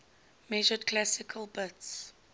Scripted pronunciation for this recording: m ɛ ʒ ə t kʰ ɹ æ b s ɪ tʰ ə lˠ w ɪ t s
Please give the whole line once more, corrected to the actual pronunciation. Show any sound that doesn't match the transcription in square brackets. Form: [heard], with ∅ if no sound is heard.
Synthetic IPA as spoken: m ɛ ʒ ə [d] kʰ [l] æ [∅] s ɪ [kʰ] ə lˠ [b] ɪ t s